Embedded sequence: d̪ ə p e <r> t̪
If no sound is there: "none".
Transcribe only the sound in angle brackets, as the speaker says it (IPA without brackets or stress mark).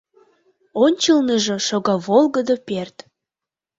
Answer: r